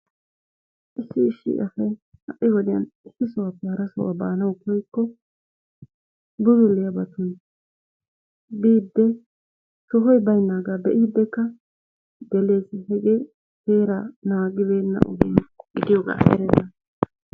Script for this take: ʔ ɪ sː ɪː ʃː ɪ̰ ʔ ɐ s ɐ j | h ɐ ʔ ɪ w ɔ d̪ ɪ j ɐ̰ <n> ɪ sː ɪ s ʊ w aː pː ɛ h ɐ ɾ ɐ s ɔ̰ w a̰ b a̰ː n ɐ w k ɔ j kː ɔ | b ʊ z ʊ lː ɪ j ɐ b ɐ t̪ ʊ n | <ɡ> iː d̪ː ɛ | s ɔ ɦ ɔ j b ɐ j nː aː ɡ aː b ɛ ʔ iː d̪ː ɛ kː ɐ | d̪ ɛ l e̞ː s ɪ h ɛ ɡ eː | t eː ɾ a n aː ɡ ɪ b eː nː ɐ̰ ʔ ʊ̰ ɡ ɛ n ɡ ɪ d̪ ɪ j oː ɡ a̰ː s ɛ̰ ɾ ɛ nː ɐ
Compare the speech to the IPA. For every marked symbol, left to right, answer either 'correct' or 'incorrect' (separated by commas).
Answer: correct, incorrect